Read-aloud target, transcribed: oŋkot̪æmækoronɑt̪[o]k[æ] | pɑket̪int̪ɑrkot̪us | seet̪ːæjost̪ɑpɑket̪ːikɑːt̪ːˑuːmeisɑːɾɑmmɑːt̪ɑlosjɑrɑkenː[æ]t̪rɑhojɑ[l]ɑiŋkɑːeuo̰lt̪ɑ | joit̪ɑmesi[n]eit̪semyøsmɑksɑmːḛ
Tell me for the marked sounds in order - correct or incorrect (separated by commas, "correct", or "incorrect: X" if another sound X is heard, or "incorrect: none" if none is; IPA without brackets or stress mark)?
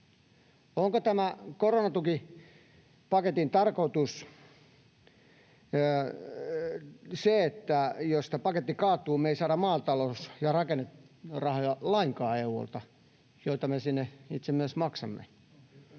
incorrect: u, incorrect: i, incorrect: e, correct, incorrect: nː